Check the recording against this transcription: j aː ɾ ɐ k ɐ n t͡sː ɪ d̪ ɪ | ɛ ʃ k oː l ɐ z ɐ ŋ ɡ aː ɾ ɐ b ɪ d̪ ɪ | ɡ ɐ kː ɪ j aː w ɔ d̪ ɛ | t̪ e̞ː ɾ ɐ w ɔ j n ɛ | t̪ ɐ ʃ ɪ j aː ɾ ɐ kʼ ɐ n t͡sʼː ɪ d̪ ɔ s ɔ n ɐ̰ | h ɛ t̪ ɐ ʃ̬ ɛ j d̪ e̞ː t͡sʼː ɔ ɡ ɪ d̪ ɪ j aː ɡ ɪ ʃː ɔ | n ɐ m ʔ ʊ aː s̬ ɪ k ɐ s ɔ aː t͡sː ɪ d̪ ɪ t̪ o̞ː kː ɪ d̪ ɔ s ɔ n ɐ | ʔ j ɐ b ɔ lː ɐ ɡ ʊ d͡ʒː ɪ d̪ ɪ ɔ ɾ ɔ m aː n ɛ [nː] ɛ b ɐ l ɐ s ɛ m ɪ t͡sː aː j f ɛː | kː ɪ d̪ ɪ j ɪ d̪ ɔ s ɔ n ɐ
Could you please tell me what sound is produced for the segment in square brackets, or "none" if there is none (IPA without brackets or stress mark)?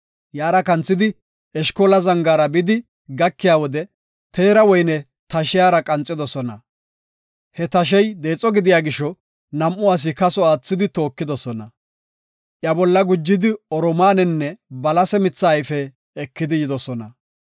nː